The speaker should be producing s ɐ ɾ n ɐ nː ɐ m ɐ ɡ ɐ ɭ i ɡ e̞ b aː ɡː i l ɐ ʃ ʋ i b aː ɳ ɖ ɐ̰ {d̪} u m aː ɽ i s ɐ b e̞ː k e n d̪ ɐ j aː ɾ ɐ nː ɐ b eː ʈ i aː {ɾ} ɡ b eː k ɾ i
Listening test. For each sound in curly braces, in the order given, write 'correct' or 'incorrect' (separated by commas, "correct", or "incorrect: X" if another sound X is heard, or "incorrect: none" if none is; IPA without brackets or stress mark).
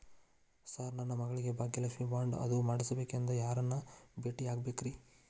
correct, incorrect: none